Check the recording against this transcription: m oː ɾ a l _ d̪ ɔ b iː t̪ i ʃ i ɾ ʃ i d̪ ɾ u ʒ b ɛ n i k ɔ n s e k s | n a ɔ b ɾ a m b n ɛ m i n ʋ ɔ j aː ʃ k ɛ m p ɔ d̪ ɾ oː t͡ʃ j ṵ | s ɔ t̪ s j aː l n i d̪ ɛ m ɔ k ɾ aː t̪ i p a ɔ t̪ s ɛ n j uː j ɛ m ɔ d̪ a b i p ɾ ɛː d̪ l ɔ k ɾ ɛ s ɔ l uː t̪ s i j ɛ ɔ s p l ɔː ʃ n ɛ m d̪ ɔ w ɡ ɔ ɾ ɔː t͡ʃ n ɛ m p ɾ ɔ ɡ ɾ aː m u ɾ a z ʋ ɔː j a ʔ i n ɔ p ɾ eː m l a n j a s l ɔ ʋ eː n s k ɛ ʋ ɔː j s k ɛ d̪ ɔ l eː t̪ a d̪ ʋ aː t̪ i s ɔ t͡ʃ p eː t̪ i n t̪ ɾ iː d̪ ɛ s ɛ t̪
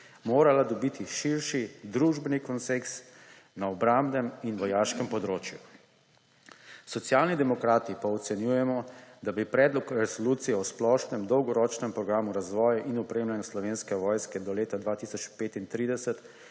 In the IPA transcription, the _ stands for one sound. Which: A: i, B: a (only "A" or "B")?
B